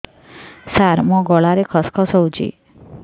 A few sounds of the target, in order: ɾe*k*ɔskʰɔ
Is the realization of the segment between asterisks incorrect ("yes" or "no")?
yes